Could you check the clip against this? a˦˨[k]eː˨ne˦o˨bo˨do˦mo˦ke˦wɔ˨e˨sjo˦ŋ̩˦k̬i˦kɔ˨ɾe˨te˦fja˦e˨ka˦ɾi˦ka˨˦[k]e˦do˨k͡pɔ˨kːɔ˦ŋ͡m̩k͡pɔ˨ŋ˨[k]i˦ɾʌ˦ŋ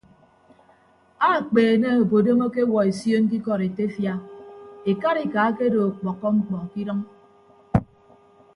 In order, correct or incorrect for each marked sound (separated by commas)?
incorrect, correct, correct